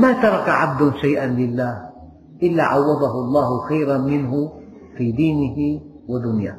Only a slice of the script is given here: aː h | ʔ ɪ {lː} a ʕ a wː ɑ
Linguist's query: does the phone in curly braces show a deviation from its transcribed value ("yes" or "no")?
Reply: no